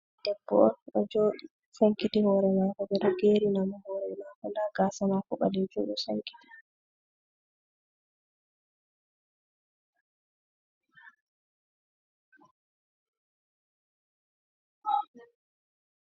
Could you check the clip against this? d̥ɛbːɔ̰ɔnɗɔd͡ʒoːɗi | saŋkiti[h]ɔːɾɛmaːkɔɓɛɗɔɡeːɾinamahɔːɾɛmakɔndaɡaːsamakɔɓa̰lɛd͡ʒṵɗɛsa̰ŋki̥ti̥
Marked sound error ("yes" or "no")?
no